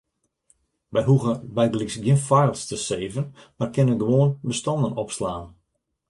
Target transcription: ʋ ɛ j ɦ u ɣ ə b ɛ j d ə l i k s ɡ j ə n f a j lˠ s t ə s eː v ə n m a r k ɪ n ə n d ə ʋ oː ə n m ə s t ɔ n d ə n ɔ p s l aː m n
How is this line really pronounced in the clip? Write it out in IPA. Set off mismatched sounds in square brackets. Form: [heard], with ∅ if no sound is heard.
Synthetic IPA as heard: ʋ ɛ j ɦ u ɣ ə b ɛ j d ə l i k s ɡ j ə n f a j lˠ s t ə s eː v ə n m a r k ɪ n ə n [ɡ] ə ʋ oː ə n [b] ə s t ɔ n d ə n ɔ p s l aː [∅] n